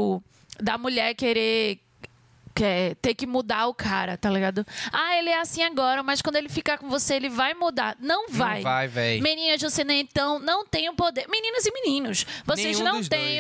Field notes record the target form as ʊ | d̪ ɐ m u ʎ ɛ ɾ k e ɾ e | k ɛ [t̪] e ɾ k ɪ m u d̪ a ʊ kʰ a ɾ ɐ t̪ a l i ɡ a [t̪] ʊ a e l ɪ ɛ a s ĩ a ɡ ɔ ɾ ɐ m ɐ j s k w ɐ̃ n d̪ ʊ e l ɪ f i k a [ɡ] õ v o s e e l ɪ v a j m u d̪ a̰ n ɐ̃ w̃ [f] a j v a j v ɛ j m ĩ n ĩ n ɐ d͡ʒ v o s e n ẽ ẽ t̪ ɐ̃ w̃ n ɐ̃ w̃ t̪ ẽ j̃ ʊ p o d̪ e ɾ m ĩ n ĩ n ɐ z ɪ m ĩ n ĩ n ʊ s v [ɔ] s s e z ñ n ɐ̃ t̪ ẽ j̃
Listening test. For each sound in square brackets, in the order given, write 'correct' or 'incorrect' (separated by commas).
correct, incorrect, incorrect, incorrect, incorrect